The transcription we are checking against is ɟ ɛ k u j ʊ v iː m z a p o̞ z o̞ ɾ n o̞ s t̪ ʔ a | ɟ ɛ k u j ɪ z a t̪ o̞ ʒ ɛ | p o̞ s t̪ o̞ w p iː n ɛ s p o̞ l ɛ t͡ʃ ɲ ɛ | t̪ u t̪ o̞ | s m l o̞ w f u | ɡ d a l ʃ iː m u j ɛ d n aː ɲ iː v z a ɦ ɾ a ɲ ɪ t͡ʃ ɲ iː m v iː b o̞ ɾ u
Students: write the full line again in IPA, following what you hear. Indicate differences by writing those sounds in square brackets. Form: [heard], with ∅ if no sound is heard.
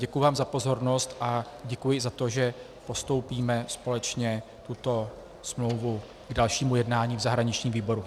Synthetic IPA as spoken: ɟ ɛ k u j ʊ v [aː] m z a p o̞ z o̞ ɾ n o̞ s t̪ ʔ a | ɟ ɛ k u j ɪ z a t̪ o̞ ʒ ɛ | p o̞ s t̪ o̞ w p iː [m] ɛ s p o̞ l ɛ t͡ʃ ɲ ɛ | t̪ u t̪ o̞ | s m l o̞ w [v] u | ɡ d a l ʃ iː m u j ɛ d n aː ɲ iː v z a ɦ ɾ a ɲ ɪ t͡ʃ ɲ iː m v iː b o̞ ɾ u